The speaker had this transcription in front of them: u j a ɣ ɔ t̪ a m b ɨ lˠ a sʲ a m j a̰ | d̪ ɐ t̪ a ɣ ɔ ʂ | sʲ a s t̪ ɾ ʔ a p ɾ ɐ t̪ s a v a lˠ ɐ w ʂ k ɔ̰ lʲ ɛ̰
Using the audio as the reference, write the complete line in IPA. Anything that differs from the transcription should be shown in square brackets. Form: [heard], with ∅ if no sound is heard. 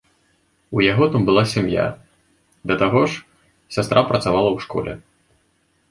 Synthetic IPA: u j a ɣ ɔ t̪ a m b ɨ lˠ a sʲ a m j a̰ | d̪ ɐ t̪ a ɣ ɔ ʂ | sʲ a s t̪ ɾ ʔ a p ɾ ɐ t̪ s a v a lˠ ɐ w ʂ k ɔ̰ lʲ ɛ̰